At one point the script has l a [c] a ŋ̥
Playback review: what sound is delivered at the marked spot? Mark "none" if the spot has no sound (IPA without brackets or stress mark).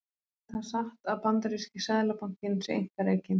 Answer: p